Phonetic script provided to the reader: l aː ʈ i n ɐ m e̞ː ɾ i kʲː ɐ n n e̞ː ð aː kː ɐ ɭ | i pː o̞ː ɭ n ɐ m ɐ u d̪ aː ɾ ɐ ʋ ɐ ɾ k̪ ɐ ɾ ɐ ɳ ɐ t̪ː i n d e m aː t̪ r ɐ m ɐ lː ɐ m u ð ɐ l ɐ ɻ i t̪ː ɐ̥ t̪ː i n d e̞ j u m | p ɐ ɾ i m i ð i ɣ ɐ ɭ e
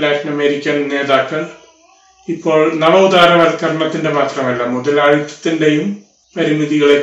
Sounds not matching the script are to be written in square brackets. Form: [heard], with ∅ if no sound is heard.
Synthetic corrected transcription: l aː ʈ i n ɐ m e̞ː ɾ i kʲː ɐ n n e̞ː ð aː kː ɐ ɭ | i pː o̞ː ɭ n ɐ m ɐ u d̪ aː ɾ ɐ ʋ ɐ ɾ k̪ ɐ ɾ ɐ ɳ ɐ t̪ː i n d e m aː t̪ r ɐ m ɐ lː ɐ m u ð ɐ l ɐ ɻ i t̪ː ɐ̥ t̪ː i n d e̞ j u m | p ɐ ɾ i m i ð i ɣ ɐ ɭ e